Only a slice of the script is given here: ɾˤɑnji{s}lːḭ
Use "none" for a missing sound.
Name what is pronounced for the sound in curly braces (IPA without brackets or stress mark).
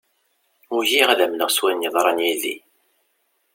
none